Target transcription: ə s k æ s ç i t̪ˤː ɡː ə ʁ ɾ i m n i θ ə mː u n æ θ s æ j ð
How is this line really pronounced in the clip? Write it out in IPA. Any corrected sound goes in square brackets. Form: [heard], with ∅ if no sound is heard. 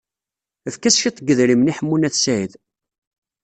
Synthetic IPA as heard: ə [f] k æ s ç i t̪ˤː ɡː ə [ð] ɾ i m n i [ħ] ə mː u n æ θ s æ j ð